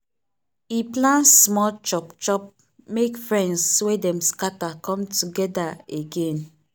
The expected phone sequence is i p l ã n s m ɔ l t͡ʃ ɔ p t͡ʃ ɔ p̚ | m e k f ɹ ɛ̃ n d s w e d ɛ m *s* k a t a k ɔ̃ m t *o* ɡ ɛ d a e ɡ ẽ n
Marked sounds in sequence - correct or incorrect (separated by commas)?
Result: correct, incorrect